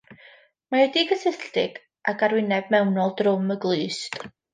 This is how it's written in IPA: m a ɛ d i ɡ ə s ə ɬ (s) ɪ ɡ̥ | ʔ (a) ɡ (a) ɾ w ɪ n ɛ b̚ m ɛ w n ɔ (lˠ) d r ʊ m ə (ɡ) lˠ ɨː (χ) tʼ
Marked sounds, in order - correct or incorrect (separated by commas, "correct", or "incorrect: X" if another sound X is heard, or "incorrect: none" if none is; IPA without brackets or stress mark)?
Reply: incorrect: t, correct, correct, correct, correct, incorrect: s